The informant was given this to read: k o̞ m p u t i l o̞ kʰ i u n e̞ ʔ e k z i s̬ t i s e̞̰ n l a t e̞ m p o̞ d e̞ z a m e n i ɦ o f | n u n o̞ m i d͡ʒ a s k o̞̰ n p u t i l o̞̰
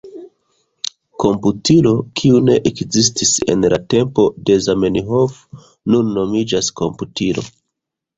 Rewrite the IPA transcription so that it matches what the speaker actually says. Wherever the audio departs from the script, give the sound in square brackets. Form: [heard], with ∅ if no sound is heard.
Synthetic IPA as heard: k o̞ m p u t i l o̞ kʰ i u n e̞ ʔ e k z i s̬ t i s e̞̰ n l a t e̞ m p o̞ d e̞ z a m e n i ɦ o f | n u [nː] o̞ m i d͡ʒ a s k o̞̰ [m] p u t i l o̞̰